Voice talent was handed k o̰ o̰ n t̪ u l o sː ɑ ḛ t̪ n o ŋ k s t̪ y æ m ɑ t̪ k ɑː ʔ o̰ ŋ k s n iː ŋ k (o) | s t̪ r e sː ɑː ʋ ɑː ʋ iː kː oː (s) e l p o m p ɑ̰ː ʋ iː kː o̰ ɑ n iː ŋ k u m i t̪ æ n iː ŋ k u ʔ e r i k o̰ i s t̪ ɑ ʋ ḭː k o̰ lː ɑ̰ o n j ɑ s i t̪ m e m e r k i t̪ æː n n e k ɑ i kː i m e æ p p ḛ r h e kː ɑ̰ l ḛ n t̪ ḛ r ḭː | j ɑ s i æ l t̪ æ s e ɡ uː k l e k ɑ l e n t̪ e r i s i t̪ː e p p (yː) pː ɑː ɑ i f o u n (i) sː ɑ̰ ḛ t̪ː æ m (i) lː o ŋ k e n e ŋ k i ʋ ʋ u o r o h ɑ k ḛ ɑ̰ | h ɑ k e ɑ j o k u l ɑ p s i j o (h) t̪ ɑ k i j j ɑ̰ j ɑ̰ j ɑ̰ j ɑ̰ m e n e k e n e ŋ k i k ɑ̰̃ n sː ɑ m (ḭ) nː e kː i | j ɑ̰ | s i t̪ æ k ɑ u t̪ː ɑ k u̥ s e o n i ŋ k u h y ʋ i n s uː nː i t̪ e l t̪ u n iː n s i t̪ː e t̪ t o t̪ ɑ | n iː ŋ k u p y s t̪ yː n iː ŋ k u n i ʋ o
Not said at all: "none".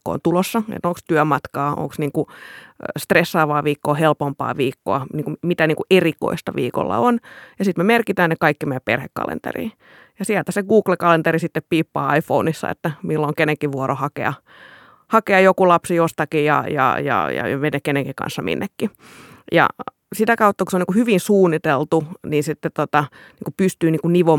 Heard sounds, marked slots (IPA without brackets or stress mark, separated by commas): u, h, iː, i, i, s, ḭ